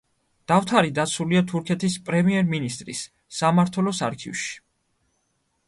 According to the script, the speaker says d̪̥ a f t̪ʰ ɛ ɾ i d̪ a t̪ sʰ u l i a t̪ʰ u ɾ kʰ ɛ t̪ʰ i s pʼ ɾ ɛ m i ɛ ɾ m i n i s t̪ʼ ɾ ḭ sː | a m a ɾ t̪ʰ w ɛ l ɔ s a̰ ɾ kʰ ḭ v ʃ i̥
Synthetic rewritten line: d̪̥ a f t̪ʰ a ɾ i d̪ a t̪ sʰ u l i a t̪ʰ u ɾ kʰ ɛ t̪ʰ i s pʼ ɾ ɛ m i ɛ ɾ m i n i s t̪ʼ ɾ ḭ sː | a m a ɾ t̪ʰ w ɛ l ɔ s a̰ ɾ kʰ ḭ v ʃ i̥